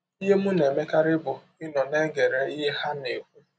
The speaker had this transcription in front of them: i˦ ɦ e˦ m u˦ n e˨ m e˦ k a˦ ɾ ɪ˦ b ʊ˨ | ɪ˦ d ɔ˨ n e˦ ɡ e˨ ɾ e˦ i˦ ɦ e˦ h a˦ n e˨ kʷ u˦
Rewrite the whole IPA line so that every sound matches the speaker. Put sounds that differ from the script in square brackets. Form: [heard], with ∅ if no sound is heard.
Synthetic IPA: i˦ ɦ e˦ m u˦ n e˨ m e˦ k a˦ ɾ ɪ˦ b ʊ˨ | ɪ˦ [n] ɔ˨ n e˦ ɡ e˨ ɾ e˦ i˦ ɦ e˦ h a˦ n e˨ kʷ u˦